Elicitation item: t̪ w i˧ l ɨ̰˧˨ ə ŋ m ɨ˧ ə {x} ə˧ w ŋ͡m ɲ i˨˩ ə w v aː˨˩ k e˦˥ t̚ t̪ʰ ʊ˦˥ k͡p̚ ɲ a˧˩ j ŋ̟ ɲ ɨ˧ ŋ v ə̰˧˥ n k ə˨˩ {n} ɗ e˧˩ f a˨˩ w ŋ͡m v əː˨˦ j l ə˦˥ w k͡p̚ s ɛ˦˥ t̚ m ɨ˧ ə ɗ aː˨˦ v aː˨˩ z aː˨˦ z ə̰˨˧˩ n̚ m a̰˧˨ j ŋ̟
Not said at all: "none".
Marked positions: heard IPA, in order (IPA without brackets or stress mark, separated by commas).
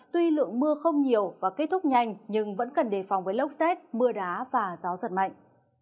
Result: x, n